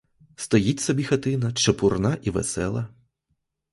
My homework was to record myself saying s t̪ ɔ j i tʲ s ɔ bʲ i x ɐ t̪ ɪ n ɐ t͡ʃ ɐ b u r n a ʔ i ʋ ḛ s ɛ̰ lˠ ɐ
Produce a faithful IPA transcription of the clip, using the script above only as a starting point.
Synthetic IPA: s t̪ ɔ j i tʲ s ɔ bʲ i x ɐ t̪ ɪ n ɐ t͡ʃ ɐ p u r n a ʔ i ʋ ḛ s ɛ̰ lˠ ɐ

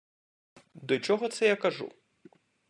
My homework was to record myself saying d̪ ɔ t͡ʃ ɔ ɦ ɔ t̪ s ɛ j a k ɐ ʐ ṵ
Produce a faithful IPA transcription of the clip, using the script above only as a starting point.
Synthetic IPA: d̪ ɔ t͡ʃ ɔ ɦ ɔ t̪ s ɛ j a k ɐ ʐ ṵ

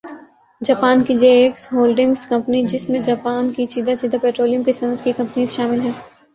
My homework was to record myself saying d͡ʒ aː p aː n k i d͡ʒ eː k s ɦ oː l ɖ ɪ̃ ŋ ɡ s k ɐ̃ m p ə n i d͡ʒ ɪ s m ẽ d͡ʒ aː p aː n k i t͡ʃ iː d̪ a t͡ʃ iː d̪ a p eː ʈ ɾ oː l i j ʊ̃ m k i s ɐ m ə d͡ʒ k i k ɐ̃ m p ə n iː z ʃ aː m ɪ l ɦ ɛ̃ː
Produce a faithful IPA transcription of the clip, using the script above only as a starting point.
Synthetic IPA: d͡ʒ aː p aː n k i d͡ʒ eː k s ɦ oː l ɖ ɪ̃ ŋ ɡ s k ɐ̃ m p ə n i d͡ʒ ɪ s m ẽ d͡ʒ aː p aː n k i t͡ʃ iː d̪ a t͡ʃ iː d̪ a p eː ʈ ɾ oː l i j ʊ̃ m k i s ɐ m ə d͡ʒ k i k ɐ̃ m p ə n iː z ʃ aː m ɪ l ɦ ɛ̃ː

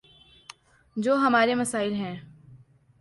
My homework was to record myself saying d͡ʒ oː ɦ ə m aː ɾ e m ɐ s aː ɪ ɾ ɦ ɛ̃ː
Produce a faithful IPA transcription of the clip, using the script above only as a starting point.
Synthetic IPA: d͡ʒ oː ɦ ɐ m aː ɾ e m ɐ s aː ɪ l ɦ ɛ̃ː

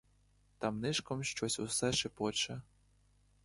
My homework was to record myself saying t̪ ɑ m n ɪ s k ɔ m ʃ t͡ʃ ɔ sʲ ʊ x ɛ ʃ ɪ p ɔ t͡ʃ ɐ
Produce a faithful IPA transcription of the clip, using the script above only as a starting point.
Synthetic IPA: t̪ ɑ m n ɪ ʃ k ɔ m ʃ t͡ʃ ɔ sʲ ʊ s ɛ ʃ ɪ p ɔ t͡ʃ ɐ

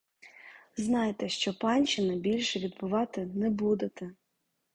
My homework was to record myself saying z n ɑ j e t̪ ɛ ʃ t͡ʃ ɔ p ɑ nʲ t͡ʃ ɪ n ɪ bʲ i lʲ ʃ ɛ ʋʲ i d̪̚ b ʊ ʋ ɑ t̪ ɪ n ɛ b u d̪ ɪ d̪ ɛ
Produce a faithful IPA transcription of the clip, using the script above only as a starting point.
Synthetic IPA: z n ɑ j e t̪ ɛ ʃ t͡ʃ ɔ p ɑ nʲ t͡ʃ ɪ n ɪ bʲ i lʲ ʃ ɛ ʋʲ i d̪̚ b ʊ ʋ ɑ t̪ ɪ n ɛ b u d̪ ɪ t̪ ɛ

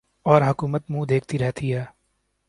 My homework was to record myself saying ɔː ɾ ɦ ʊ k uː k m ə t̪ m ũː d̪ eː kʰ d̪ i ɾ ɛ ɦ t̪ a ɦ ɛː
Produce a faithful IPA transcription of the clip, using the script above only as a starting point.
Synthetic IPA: ɔː ɾ ɦ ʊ k uː m ə t̪ m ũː d̪ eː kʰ t̪ i ɾ ɛ ɦ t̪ i ɦ ɛː

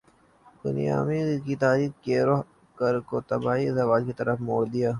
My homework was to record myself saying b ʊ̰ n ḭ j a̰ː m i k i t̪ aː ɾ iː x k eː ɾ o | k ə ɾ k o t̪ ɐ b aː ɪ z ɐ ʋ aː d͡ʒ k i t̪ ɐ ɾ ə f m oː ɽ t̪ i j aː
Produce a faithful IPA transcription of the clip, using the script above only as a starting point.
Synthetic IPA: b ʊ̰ n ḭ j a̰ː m i k i t̪ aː ɾ iː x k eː ɾ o | k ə ɾ k o t̪ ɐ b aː i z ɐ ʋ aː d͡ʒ k i t̪ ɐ ɾ ə f m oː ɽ d̪ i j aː

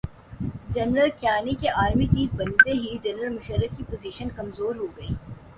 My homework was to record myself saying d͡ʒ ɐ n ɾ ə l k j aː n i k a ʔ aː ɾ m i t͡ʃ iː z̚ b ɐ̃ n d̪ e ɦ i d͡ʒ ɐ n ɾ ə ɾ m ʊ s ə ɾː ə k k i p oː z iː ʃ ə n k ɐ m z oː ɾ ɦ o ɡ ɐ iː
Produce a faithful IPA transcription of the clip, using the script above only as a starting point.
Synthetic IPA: d͡ʒ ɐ n ɾ ə l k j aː n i k e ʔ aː ɾ m i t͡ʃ iː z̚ b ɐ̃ n d̪ e ɦ i d͡ʒ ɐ n ɾ ə l m ʊ ʃ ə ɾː ə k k i p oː z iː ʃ ə n k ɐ m z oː ɾ ɦ o ɡ ɐ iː

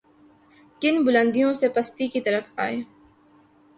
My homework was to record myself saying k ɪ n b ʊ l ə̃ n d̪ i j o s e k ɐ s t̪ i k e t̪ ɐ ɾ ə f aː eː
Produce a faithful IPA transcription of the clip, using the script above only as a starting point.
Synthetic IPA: k ɪ n b ʊ l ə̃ n d̪ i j õ s e p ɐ s t̪ i k i t̪ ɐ ɾ ə f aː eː

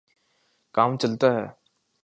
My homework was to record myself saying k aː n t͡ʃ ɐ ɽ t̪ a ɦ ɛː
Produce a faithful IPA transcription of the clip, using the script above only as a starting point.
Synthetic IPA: k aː m t͡ʃ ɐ l t̪ a ɦ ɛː

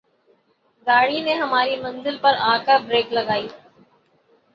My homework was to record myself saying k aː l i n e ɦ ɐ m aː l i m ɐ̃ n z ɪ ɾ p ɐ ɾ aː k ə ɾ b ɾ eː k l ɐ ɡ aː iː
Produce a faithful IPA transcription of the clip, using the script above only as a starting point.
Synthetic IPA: ɡ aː ɽ i n e ɦ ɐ m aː ɾ i m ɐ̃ n z ɪ l p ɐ ɾ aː k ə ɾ b ɾ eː k l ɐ ɡ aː iː

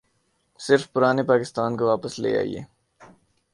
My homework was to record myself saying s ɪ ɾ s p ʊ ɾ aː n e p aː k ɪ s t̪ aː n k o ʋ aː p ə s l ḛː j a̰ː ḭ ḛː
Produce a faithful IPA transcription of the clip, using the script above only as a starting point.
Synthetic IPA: s ɪ ɾ f p ʊ ɾ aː n e p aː k ɪ s t̪ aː n k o ʋ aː p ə s l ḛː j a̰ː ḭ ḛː

